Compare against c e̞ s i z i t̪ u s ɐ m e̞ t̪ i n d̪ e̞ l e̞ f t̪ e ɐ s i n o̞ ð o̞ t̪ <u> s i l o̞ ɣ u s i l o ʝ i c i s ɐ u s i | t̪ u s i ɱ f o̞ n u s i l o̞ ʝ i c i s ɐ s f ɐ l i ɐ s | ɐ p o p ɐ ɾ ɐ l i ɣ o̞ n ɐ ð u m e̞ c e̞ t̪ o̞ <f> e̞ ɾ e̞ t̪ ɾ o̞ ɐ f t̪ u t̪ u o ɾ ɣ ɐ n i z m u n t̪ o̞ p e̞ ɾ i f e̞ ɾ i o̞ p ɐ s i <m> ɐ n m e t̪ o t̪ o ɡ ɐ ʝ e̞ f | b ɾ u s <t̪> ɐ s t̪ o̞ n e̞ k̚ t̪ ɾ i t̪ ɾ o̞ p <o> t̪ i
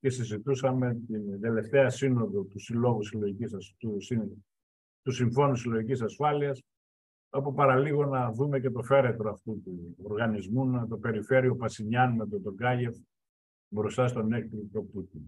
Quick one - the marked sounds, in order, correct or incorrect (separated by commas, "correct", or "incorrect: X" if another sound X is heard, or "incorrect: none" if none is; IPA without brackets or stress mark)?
correct, correct, incorrect: ɲ, correct, incorrect: u